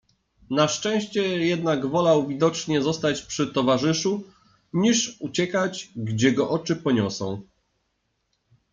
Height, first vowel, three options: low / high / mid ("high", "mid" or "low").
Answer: low